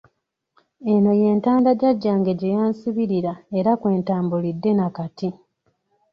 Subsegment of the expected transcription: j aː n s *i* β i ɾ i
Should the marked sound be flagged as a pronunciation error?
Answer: no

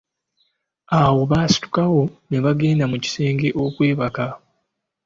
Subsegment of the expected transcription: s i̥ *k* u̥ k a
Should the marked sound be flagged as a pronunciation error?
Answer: yes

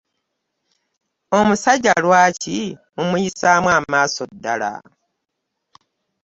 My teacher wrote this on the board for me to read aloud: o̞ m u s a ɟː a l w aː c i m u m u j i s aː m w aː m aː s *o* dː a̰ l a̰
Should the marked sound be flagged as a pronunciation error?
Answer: no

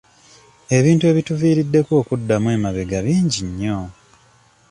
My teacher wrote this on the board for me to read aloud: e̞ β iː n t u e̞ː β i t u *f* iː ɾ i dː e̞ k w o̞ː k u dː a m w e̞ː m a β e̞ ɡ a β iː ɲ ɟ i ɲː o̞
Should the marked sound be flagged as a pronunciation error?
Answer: yes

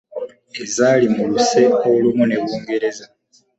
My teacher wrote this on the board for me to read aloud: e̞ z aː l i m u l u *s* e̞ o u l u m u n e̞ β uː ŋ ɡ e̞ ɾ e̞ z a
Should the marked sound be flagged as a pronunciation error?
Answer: no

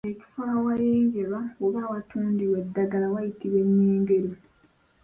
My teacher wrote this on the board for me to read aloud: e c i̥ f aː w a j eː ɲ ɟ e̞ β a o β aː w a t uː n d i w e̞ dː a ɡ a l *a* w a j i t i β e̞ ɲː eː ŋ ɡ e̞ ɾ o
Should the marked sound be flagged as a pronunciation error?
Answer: no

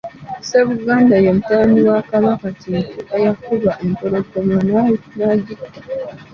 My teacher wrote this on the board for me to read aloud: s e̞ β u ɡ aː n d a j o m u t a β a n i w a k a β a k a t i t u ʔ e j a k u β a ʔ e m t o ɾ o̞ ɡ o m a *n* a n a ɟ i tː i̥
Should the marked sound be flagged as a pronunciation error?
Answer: no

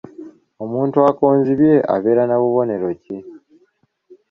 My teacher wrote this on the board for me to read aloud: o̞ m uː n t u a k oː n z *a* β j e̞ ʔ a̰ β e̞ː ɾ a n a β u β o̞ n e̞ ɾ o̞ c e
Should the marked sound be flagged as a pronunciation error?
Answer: yes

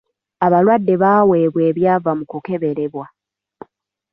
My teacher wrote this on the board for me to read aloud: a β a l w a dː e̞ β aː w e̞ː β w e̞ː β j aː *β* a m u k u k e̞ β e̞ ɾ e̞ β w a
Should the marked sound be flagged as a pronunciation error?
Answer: yes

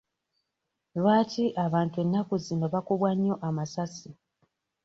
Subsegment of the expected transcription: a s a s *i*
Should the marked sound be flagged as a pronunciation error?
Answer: no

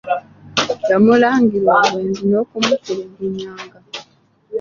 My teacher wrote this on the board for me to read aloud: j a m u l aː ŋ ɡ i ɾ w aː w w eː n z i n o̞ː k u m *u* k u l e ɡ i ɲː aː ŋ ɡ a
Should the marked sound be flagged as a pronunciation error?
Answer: no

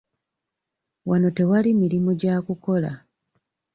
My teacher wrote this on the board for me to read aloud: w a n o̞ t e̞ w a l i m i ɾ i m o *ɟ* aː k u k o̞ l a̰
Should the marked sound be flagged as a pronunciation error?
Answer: no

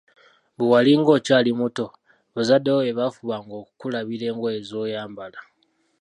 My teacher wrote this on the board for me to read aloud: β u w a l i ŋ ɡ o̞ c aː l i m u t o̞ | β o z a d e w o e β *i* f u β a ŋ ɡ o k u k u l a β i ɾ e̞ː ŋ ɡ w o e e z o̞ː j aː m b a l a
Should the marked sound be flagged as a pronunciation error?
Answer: yes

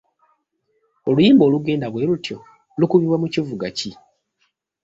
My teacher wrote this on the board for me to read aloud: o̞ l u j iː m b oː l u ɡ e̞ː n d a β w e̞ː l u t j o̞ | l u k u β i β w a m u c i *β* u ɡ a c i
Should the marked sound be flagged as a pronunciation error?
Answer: yes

